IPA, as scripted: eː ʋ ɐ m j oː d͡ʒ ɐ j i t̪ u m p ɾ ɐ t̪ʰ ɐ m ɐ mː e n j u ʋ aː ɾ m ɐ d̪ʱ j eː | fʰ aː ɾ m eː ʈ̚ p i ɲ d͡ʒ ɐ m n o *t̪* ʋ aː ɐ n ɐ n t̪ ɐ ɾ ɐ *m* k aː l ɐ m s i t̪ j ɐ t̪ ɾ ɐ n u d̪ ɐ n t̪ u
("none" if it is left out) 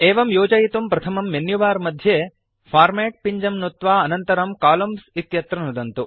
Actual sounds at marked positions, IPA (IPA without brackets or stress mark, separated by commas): t̪, m